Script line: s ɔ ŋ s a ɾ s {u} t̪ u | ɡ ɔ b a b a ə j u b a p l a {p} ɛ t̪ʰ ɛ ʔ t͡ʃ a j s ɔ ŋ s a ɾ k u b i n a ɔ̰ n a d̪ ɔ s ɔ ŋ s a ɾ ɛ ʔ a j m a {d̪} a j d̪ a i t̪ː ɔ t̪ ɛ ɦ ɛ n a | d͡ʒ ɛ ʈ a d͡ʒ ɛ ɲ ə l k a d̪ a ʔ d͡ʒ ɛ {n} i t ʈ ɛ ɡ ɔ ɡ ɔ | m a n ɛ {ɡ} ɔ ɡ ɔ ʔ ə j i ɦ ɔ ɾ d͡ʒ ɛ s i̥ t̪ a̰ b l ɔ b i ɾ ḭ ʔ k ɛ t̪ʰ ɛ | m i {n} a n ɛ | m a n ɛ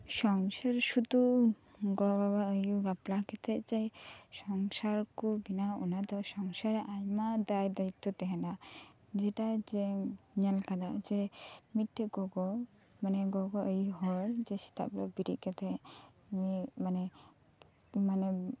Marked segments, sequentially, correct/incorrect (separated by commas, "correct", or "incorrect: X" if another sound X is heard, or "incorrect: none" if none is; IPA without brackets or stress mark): correct, incorrect: k, correct, incorrect: m, correct, incorrect: m